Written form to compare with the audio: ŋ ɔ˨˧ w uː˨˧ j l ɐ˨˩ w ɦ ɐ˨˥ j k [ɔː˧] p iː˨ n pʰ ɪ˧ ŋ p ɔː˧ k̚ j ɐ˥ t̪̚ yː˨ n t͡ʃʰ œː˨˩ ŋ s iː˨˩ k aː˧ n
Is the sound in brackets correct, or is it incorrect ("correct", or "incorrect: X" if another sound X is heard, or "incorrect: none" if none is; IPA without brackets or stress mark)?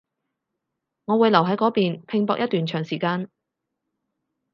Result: incorrect: ɔː˨˥